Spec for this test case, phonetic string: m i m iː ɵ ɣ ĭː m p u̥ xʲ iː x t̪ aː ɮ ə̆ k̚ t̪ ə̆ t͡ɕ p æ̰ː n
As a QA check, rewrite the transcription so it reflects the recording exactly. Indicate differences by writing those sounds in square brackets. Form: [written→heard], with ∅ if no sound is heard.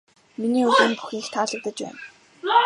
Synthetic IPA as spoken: m i [m→n] iː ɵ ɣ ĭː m p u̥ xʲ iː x [t̪→t̪ʰ] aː ɮ ə̆ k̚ t̪ ə̆ t͡ɕ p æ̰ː n